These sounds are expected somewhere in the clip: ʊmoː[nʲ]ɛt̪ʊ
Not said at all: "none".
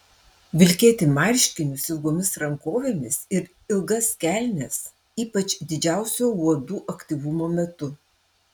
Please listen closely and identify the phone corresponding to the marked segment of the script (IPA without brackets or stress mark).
mʲ